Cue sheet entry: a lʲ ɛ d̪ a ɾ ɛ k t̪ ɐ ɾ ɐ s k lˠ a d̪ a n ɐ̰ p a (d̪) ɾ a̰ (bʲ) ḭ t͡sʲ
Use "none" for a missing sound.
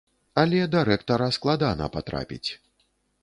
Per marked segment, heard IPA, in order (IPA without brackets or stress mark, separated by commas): t̪, pʲ